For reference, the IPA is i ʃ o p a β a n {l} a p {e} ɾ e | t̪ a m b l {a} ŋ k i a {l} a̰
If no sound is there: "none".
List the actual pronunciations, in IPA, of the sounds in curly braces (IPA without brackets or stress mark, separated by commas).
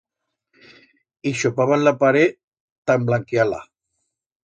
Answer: l, a, a, l